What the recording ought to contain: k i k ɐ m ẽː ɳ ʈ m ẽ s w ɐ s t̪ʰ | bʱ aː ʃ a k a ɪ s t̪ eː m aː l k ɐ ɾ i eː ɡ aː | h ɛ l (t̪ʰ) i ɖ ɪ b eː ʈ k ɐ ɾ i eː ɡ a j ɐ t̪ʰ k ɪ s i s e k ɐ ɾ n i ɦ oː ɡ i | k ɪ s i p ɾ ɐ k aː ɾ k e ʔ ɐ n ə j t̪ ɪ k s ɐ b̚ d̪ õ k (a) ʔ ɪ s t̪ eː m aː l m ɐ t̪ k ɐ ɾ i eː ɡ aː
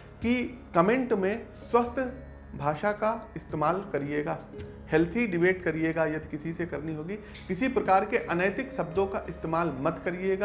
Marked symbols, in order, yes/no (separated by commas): yes, yes